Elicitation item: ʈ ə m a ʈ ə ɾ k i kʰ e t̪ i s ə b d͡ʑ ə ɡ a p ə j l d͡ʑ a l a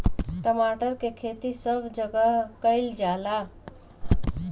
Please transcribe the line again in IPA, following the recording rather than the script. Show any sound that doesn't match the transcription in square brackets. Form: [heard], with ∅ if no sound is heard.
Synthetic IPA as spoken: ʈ ə m a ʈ ə ɾ k [e] kʰ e t̪ i s ə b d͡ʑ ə ɡ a [k] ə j l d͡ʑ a l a